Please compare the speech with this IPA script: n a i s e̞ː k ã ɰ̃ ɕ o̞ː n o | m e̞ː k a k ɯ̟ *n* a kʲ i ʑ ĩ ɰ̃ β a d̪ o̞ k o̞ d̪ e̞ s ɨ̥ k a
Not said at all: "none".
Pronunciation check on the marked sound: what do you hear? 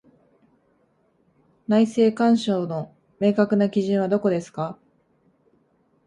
n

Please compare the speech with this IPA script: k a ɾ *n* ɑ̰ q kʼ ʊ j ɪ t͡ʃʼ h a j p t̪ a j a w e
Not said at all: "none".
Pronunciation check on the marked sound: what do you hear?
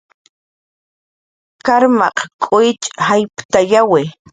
m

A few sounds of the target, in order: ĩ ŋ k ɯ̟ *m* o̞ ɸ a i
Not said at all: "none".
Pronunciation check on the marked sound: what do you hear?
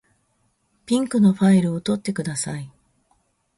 n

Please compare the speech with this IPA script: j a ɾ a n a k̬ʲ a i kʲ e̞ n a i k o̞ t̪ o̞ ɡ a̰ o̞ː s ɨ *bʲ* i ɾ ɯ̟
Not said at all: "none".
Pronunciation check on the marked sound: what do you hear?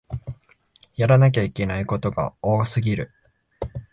ɡʲ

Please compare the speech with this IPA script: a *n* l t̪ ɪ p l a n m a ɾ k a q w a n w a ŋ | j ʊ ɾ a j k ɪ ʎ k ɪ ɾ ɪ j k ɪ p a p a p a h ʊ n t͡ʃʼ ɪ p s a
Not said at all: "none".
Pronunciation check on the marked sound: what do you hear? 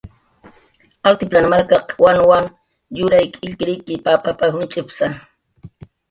none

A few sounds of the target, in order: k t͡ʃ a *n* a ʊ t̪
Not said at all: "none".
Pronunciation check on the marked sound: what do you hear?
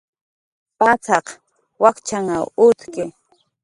ŋ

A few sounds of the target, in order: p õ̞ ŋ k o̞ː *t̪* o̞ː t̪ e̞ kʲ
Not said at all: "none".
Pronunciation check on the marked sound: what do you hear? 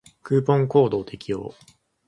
d̪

